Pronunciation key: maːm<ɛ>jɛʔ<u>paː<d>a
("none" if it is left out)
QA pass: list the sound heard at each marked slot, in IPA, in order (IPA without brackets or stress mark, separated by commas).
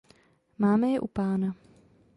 ɛ, u, n